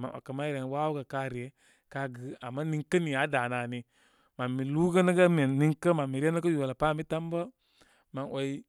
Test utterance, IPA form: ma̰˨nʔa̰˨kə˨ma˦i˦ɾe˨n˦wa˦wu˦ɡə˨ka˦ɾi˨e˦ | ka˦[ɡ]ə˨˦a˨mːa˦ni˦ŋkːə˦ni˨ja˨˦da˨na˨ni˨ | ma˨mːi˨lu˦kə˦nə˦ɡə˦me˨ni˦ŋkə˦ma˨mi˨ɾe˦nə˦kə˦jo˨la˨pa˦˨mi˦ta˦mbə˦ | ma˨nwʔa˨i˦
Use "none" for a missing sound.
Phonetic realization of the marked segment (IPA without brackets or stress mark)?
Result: ɡ